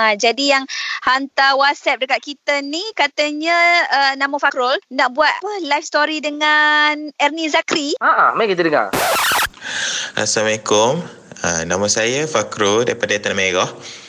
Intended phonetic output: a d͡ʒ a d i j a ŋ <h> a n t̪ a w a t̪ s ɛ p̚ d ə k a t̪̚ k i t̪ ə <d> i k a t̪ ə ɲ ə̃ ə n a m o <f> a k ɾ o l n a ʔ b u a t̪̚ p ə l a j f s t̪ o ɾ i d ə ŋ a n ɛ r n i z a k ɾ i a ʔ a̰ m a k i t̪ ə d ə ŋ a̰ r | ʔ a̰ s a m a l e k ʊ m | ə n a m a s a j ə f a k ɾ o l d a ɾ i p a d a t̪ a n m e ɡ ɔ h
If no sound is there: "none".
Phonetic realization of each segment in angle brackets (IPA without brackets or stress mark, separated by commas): h, n, f